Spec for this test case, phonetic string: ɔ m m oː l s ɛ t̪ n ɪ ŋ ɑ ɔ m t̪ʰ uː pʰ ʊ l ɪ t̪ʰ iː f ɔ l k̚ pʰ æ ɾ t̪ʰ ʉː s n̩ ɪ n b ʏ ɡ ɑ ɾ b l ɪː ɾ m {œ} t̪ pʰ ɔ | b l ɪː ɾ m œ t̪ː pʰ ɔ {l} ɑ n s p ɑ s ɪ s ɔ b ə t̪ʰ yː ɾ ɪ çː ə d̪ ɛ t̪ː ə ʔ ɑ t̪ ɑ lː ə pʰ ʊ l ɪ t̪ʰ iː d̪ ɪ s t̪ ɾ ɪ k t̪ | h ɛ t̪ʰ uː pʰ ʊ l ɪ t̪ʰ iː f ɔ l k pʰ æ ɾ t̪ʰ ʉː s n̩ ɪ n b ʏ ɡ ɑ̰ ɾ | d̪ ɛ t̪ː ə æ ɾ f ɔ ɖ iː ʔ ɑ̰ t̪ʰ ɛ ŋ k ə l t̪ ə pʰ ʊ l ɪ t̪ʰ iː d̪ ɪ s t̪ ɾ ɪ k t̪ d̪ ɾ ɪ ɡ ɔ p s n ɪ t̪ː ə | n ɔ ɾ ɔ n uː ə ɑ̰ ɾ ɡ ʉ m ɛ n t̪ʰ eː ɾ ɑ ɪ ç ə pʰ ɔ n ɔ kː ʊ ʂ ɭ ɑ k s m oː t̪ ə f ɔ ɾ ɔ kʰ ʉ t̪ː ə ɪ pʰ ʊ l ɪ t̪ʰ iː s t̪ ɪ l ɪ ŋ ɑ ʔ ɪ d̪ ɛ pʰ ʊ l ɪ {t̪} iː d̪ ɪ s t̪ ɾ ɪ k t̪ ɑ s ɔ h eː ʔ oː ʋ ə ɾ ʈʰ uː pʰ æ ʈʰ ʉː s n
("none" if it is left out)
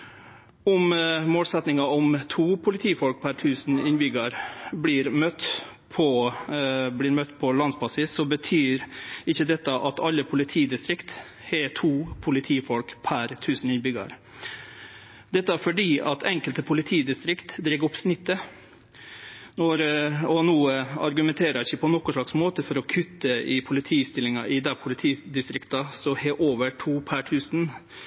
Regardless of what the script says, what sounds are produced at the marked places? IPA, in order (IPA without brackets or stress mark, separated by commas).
œ, l, t̪ʰ